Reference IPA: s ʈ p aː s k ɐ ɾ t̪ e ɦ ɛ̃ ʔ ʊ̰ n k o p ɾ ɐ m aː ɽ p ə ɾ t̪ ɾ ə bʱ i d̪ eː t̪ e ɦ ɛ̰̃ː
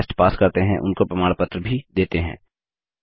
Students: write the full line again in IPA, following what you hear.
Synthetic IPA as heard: s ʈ p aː s k ɐ ɾ t̪ e ɦ ɛ̃ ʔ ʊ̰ n k o p ɾ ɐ m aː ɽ p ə t̪ ɾ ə bʱ i d̪ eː t̪ e ɦ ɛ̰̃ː